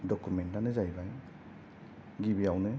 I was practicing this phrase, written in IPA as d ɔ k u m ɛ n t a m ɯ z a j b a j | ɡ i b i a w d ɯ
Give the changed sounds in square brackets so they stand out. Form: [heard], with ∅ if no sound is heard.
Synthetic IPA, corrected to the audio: d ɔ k u m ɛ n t a [n] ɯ z a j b a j | ɡ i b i a w [n] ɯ